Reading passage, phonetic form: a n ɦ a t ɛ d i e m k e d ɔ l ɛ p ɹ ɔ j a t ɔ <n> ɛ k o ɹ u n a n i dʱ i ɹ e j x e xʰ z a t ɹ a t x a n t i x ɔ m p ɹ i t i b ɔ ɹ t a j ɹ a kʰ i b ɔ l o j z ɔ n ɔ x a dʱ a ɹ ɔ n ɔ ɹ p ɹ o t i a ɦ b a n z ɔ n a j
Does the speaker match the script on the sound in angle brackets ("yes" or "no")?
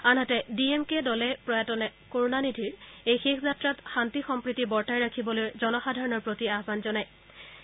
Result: yes